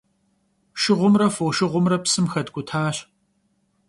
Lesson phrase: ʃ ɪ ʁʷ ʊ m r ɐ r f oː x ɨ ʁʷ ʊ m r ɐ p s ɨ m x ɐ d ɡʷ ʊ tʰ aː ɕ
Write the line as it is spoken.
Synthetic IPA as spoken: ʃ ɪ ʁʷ ʊ m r ɐ f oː ʃ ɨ ʁʷ ʊ m r ɐ p s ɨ m x ɐ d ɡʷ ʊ tʰ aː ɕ